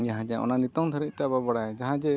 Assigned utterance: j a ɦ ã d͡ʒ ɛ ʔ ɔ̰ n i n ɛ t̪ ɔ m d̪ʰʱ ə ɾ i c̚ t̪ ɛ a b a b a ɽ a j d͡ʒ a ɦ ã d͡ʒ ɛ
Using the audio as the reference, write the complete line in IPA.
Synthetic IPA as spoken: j a ɦ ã d͡ʒ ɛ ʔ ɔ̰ n a n i t̪ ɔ ŋ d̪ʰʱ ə ɾ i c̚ t̪ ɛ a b a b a ɽ a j d͡ʒ a ɦ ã d͡ʒ ɛ